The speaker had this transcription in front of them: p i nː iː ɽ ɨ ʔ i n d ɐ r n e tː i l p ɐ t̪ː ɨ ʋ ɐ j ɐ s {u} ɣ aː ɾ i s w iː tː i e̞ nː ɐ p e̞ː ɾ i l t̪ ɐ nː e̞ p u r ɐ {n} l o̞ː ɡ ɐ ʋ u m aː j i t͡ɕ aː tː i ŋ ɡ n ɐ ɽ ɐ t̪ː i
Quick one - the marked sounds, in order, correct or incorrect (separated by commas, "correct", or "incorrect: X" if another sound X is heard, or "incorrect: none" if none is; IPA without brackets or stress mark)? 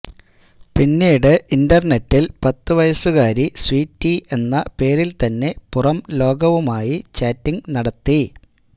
correct, incorrect: m